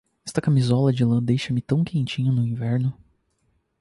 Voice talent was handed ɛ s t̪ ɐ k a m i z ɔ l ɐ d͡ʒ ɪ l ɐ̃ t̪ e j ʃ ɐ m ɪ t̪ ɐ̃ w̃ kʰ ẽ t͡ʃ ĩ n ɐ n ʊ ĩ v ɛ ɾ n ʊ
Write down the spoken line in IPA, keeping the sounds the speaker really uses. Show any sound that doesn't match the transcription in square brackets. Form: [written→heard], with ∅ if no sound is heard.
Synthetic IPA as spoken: ɛ s t̪ ɐ k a m i z ɔ l ɐ d͡ʒ ɪ l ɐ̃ [t̪→d̪] e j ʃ ɐ m ɪ t̪ ɐ̃ w̃ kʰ ẽ t͡ʃ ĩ [n→ɲ] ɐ n ʊ ĩ v ɛ ɾ n ʊ